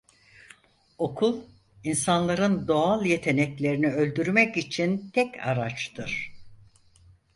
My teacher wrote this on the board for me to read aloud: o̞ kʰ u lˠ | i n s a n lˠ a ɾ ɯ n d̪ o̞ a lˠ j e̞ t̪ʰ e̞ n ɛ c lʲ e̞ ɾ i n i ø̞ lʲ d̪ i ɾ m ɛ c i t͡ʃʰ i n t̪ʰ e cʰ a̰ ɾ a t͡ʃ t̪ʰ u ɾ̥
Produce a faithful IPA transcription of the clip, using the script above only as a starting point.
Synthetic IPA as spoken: o̞ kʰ u lˠ | i n s a n lˠ a ɾ ɯ n d̪ o̞ a lˠ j e̞ t̪ʰ e̞ n ɛ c lʲ e̞ ɾ i n i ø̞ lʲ d̪ y ɾ m ɛ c i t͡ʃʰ i n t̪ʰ ɛ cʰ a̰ ɾ a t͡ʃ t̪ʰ ɯ ɾ̥